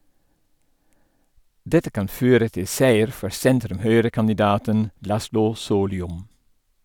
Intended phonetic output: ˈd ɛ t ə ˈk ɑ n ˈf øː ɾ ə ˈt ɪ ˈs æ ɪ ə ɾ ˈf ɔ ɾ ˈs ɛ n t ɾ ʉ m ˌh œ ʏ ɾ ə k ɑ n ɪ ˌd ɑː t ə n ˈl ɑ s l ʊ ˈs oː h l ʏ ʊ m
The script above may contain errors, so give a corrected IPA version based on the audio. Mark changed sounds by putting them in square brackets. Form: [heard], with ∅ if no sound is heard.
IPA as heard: ˈd ɛ t ə ˈk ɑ n ˈf øː ɾ ə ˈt ɪ ˈs æ ɪ ə ɾ ˈf ɔ ɾ ˈs ɛ n t ɾ ʉ m ˌh œ ʏ ɾ ə k ɑ n ɪ ˌd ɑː t ə n ˈl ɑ s l ʊ ˈs oː [∅] l ʏ ʊ m